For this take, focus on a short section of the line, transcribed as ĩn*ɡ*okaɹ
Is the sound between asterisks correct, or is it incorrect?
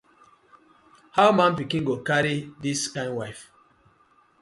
correct